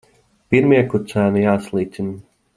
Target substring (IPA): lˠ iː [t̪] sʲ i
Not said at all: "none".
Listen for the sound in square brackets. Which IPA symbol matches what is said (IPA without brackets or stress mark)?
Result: t̪